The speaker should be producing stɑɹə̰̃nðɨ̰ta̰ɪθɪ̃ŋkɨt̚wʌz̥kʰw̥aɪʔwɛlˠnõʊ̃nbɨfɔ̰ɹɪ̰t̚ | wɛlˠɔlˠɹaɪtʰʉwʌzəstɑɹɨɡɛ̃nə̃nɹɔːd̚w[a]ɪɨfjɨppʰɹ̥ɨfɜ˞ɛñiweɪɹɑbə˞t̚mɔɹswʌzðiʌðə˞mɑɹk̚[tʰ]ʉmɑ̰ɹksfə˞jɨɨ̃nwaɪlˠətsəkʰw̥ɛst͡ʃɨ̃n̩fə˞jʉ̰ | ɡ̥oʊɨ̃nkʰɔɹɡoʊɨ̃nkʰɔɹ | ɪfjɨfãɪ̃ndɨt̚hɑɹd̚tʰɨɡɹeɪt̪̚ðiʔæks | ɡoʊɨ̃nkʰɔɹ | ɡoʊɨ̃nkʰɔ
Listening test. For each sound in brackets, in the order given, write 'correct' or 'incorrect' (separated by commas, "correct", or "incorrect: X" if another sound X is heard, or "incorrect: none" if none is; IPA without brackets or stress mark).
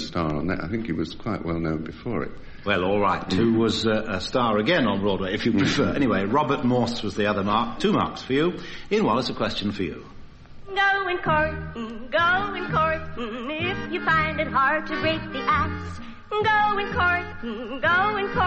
incorrect: e, correct